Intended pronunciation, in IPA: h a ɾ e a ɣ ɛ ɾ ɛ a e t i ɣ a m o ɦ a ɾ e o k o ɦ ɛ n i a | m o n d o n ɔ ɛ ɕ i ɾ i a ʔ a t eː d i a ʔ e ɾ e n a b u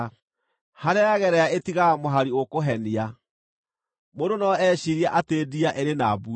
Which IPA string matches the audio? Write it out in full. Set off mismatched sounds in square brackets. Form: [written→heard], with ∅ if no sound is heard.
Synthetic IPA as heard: h a ɾ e a ɣ ɛ ɾ ɛ a e t i ɣ a m o ɦ a ɾ [e→i] o k o ɦ ɛ n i a | m o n d o n ɔ ɛ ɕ i ɾ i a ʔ a t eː d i a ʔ e ɾ e n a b u